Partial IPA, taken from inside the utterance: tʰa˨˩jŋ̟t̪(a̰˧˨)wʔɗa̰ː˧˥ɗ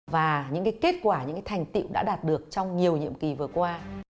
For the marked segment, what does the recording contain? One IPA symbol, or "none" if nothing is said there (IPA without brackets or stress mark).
ḭ˧˨